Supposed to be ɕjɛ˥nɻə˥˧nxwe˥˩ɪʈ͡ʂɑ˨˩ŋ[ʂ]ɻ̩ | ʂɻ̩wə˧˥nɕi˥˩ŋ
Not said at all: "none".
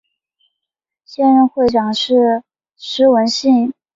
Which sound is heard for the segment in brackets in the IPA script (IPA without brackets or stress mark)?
ʂ